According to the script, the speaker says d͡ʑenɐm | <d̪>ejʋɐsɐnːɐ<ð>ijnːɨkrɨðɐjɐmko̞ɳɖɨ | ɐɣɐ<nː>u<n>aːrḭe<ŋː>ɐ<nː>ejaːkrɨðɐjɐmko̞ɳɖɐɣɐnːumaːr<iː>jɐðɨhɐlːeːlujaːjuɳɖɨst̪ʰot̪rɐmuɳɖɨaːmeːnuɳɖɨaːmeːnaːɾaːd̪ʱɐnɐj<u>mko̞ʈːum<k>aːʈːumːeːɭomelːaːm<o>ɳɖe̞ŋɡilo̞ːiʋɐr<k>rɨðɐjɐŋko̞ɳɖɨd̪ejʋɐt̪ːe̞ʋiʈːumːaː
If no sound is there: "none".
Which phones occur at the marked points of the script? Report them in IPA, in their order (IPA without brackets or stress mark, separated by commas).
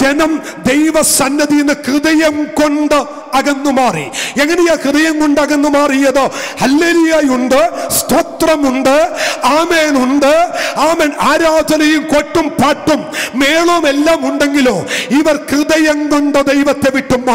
d̪, ð, nː, m, ŋː, n, i, u, p, u, k